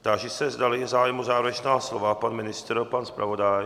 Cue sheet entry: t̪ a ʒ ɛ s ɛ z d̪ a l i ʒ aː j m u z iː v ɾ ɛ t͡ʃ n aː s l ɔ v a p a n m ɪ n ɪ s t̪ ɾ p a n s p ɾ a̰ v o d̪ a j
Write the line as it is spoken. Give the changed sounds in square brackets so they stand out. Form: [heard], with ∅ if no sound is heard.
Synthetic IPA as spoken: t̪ a ʒ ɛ s ɛ z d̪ a l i [z] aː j m u z [aː] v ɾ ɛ t͡ʃ n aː s l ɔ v a p a n m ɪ n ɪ s t̪ ɾ p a n s p ɾ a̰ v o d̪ a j